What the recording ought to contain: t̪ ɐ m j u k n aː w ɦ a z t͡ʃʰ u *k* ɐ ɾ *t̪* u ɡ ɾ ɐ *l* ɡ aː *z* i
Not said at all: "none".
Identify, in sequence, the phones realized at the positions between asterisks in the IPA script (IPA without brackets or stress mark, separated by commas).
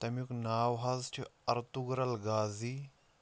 none, t̪, l, z